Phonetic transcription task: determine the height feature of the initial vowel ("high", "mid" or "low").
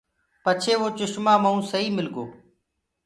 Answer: mid